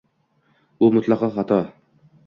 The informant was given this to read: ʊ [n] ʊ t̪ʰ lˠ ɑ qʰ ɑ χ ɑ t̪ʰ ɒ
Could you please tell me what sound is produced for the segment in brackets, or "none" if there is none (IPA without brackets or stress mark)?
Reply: m